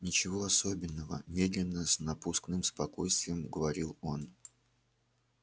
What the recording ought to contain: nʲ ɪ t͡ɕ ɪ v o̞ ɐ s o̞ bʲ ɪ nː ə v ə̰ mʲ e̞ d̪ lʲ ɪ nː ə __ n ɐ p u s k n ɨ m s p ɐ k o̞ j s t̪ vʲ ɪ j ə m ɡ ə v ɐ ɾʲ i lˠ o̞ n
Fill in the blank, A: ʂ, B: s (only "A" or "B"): B